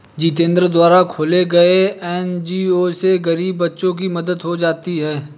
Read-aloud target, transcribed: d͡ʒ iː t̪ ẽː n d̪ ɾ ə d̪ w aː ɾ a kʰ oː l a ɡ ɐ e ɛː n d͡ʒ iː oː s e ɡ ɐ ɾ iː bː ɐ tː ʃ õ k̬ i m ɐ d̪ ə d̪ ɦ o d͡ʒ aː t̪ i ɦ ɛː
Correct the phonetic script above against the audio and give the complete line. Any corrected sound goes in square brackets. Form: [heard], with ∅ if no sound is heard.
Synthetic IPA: d͡ʒ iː t̪ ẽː n d̪ ɾ ə d̪ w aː ɾ a kʰ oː l [e] ɡ ɐ e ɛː n d͡ʒ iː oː s e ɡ ɐ ɾ iː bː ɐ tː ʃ õ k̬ i m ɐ d̪ ə d̪ ɦ o d͡ʒ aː t̪ i ɦ ɛː